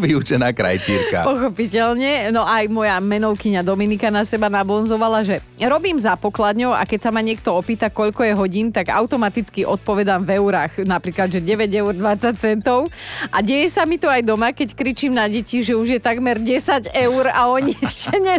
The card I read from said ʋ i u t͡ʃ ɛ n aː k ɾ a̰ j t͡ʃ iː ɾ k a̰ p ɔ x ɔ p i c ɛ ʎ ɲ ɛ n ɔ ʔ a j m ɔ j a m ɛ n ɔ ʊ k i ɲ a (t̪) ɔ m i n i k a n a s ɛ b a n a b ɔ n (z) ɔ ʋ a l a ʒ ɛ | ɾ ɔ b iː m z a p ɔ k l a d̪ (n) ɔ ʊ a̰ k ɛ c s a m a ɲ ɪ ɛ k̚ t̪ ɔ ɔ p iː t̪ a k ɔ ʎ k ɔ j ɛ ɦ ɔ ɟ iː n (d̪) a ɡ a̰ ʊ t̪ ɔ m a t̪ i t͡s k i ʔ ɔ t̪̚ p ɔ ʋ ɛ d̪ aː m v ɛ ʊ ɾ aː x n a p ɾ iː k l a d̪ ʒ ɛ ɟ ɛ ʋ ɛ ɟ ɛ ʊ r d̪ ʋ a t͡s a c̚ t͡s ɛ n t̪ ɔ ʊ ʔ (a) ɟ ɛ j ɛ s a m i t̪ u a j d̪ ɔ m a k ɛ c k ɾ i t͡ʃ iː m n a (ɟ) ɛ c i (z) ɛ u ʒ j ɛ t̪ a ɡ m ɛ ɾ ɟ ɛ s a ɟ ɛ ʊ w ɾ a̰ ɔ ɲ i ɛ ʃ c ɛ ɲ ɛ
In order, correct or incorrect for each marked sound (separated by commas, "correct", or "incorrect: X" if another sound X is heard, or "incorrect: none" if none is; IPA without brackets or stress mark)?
incorrect: d̪, correct, incorrect: ɲ, incorrect: t̪, correct, correct, incorrect: ʒ